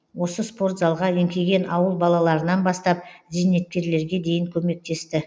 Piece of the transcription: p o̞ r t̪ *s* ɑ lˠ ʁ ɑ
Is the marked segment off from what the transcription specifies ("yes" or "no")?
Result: yes